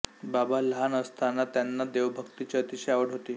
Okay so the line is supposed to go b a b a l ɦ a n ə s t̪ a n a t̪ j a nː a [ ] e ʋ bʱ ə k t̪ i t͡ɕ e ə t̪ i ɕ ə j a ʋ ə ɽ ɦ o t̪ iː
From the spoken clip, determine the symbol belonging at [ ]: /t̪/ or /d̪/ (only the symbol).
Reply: d̪